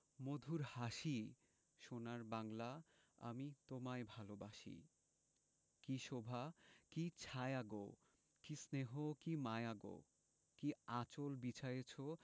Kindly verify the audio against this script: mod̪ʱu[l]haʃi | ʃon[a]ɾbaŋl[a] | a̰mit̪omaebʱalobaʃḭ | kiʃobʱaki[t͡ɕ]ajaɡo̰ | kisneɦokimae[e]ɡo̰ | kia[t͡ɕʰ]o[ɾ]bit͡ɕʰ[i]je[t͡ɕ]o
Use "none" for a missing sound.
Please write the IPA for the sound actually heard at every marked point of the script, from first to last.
ɾ, a, a, t͡ɕʰ, a, t͡ɕ, l, a, t͡ɕʰ

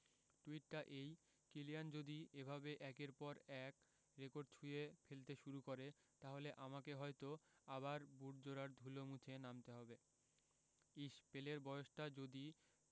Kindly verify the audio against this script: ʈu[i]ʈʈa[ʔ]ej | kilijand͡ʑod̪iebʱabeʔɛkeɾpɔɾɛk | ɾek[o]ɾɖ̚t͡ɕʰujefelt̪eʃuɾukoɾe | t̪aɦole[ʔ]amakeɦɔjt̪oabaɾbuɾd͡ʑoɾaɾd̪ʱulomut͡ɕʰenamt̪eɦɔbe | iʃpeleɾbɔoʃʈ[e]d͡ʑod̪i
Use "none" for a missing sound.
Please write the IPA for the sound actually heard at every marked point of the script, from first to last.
i, ʔ, o, ʔ, a

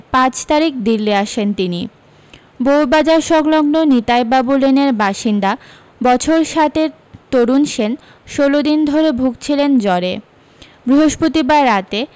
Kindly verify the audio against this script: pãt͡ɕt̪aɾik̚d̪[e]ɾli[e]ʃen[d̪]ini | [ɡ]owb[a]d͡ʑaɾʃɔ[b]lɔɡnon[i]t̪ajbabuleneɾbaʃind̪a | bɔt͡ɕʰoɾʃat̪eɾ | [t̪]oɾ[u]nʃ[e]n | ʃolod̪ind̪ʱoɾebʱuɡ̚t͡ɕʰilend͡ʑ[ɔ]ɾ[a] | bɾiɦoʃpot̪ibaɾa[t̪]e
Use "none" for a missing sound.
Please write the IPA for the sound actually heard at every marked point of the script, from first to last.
i, a, t̪, b, a, ɡ, i, t̪, u, e, ɔ, e, t̪

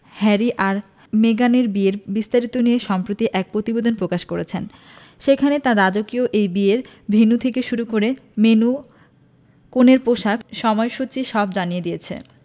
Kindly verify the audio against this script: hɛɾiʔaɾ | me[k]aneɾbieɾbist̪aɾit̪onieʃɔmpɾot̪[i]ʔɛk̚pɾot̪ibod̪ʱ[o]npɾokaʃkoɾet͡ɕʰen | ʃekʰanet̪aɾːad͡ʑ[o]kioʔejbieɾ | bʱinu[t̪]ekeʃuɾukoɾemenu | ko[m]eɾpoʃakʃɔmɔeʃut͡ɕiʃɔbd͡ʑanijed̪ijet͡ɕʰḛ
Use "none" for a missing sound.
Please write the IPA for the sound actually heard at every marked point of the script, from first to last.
ɡ, i, o, o, t̪ʰ, n

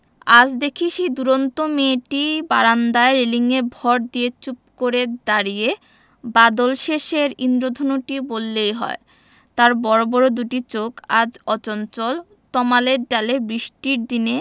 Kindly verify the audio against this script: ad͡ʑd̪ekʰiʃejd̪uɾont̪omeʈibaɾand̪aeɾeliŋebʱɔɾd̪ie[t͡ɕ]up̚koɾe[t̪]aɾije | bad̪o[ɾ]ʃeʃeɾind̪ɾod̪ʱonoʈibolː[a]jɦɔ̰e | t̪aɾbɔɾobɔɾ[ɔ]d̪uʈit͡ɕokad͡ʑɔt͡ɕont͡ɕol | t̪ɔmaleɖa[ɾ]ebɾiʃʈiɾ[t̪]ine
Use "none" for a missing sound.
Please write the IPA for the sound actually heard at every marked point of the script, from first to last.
t͡ɕ, d̪, l, e, o, l, d̪

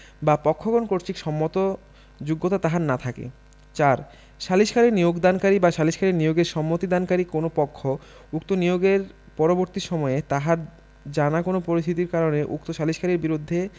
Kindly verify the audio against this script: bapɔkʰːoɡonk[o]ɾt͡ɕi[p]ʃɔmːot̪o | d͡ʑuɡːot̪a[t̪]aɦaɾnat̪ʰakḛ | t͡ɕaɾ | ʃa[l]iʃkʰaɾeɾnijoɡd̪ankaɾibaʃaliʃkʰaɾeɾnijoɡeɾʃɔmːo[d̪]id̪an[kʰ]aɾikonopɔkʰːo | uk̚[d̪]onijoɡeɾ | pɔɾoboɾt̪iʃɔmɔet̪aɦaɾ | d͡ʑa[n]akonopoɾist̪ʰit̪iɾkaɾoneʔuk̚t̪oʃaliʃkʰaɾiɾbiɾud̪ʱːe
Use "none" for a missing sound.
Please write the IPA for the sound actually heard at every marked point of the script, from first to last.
o, k, t̪, l, t̪, k, t̪, n

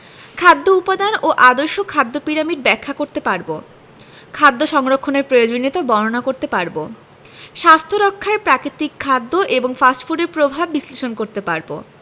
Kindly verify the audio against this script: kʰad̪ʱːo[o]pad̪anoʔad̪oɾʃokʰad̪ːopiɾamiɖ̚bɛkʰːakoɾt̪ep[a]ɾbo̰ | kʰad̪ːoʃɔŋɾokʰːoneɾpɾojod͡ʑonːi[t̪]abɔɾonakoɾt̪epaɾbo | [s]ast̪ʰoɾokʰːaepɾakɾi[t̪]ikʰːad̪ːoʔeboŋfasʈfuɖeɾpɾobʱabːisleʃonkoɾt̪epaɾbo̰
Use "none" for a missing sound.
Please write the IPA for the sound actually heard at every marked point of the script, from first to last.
u, a, t̪, ʃ, t̪

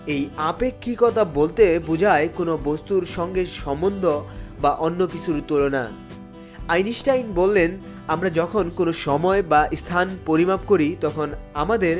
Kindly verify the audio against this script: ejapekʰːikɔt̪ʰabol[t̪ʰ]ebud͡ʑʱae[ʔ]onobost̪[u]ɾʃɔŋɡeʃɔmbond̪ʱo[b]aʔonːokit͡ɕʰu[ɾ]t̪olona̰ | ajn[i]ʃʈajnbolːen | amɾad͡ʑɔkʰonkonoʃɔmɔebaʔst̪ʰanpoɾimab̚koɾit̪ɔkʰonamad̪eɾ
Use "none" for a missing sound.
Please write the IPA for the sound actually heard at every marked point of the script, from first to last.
t̪, k, u, b, ɾ, i

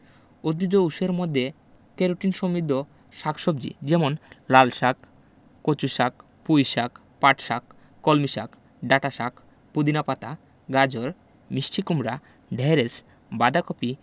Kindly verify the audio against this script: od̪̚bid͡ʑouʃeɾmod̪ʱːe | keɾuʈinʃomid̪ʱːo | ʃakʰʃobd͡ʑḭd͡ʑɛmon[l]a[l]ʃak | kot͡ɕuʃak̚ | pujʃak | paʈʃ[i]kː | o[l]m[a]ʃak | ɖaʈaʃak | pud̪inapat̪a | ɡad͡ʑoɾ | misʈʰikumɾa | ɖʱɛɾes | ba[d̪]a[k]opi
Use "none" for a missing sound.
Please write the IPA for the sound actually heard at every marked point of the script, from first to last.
l, l, a, l, i, d̪, k

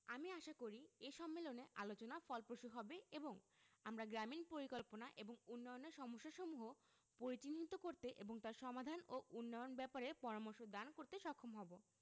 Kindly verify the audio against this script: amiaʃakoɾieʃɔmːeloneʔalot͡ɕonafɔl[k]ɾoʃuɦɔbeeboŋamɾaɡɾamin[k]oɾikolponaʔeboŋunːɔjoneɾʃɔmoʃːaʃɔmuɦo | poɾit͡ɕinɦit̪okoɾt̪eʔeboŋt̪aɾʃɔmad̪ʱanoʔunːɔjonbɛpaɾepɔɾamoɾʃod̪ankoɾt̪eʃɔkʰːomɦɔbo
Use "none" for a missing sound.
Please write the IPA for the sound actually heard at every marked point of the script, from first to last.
p, p

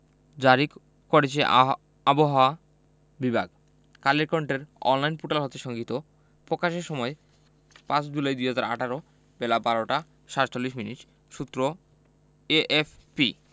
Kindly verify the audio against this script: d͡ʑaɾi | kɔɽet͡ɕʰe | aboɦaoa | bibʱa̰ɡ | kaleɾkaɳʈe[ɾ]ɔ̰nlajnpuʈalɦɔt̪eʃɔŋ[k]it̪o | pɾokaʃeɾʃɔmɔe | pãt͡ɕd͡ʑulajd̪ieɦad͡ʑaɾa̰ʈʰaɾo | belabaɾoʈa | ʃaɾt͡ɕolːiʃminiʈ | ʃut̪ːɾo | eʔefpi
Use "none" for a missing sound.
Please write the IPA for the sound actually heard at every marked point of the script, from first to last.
ɾ, ɡ

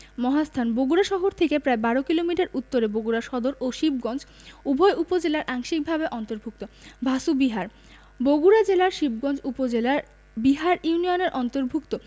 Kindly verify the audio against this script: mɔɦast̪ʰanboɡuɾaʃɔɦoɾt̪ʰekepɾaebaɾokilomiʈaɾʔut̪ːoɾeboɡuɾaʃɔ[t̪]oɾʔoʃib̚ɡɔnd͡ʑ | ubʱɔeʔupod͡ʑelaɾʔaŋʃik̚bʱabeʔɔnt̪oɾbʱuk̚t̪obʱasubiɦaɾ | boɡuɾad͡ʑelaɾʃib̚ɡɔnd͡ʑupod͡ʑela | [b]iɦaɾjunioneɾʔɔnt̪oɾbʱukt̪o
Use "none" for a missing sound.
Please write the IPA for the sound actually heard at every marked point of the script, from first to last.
d̪, b

